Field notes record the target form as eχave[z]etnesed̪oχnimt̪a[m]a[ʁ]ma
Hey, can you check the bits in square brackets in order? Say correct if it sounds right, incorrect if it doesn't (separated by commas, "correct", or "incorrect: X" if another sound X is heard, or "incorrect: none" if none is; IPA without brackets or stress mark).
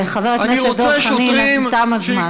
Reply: incorrect: ʁ, correct, incorrect: z